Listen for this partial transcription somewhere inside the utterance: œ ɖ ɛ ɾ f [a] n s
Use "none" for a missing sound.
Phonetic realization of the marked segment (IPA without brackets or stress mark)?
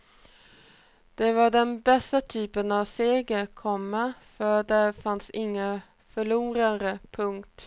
a